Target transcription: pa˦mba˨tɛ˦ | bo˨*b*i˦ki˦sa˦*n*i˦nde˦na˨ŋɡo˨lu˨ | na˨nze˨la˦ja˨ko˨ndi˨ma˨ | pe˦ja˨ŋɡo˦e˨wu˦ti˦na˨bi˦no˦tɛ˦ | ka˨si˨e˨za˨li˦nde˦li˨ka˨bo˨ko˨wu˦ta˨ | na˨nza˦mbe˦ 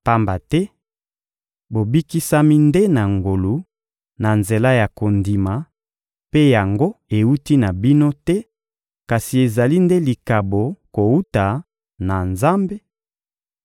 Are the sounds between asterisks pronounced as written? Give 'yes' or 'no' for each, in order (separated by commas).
yes, no